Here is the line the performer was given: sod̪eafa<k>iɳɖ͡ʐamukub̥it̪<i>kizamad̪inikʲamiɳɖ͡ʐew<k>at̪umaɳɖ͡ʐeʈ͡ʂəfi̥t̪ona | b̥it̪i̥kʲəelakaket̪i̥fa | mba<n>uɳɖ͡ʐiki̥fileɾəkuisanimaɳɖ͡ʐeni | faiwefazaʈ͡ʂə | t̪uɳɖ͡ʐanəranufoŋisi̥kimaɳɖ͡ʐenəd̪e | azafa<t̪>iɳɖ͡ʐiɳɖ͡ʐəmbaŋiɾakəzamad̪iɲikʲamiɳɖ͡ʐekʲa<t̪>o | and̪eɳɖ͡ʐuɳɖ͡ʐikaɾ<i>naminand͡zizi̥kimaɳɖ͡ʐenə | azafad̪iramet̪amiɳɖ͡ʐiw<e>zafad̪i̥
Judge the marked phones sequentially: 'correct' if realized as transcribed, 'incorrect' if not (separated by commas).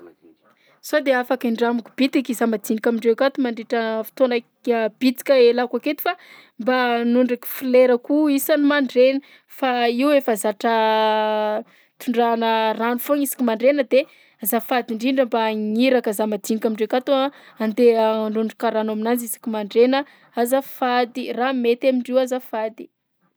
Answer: correct, correct, correct, correct, incorrect, correct, incorrect, incorrect